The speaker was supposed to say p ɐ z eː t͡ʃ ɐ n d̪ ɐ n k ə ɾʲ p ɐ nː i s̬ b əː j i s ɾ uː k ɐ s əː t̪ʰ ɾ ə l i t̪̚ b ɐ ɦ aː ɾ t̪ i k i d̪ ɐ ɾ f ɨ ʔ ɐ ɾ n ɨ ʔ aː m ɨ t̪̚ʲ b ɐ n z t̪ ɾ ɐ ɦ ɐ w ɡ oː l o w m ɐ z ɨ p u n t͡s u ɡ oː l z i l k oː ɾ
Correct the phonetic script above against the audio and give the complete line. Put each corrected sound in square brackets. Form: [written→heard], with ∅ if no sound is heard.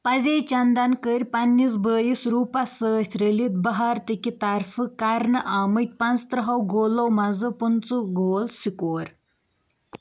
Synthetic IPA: p ɐ z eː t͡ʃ ɐ n d̪ ɐ n k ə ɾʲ p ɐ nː i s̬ b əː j i s ɾ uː [k→p] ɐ s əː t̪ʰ ɾ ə l i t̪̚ b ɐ ɦ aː ɾ t̪ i k i [d̪→t̪] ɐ ɾ f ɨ [ʔ→k] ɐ ɾ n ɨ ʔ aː m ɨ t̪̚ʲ [b→p] ɐ n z t̪ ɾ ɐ ɦ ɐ w ɡ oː l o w m ɐ z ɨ p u n t͡s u ɡ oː l [z→s] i [l→∅] k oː ɾ

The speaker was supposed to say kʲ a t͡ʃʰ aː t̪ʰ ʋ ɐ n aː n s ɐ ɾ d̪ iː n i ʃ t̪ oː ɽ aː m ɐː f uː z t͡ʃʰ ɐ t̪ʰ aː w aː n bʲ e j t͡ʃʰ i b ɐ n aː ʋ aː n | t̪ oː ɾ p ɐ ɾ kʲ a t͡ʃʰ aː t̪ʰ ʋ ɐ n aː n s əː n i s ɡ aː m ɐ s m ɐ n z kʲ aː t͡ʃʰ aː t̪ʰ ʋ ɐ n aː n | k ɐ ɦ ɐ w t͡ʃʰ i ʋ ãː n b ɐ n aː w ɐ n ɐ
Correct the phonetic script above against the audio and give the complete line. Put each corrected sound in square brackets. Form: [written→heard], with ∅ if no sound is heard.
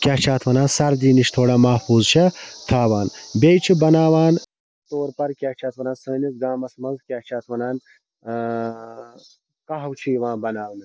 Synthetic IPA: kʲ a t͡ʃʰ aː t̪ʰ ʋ ɐ n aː n s ɐ ɾ d̪ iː n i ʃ [t̪→t̪ʰ] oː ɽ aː m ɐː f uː z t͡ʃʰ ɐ t̪ʰ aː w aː n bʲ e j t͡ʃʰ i b ɐ n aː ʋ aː n | t̪ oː ɾ p ɐ ɾ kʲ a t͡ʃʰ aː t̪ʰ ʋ ɐ n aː n s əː n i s ɡ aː m ɐ s m ɐ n z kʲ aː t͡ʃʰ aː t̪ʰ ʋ ɐ n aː n | k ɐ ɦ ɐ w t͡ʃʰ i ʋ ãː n b ɐ n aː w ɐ n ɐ

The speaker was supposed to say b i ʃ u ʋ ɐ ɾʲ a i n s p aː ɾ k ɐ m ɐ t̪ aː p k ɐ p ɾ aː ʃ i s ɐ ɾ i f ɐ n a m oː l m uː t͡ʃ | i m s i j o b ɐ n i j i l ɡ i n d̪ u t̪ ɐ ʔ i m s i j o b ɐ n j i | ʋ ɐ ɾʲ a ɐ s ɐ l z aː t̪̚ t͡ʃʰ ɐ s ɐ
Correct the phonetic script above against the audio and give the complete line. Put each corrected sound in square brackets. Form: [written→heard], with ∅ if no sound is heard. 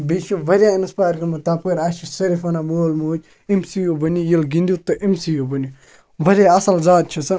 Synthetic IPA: b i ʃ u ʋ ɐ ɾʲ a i n s p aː ɾ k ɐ m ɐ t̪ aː p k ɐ [p→∅] ɾ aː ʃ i s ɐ ɾ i f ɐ n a m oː l m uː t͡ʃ | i m s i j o b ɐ n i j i l ɡ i n d̪ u t̪ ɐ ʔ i m s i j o b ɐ n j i | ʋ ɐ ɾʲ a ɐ s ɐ l z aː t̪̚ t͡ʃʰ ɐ s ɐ

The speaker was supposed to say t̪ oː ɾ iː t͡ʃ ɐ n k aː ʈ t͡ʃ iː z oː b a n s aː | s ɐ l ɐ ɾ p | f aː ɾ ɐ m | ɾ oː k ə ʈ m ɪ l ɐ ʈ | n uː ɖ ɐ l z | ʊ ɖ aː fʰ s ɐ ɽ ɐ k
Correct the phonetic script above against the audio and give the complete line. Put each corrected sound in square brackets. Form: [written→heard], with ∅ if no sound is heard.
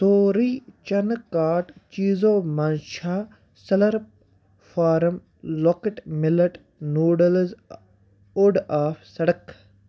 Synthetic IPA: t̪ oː ɾ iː t͡ʃ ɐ n k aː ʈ t͡ʃ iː z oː [b→m] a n [s→ʃ] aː | s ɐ l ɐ ɾ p | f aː ɾ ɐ m | [ɾ→l] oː k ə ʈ m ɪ l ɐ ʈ | n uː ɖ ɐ l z | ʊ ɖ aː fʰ s ɐ ɽ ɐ k

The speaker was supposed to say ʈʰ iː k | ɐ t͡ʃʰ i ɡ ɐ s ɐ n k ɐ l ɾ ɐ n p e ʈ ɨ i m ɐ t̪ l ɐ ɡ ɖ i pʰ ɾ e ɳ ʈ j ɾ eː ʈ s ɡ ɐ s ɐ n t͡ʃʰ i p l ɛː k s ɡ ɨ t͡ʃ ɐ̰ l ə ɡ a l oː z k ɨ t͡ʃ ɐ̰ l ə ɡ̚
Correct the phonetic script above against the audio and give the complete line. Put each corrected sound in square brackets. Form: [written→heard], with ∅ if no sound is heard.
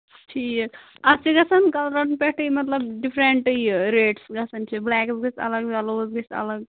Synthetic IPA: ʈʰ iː k | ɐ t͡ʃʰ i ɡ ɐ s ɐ n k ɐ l ɾ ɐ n p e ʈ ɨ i m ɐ t̪ l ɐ [ɡ→b] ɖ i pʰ ɾ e ɳ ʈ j ɾ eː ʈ s ɡ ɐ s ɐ n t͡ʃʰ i [p→b] l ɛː k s ɡ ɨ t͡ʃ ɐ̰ l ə ɡ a l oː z [k→ɡ] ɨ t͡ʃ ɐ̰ l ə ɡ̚

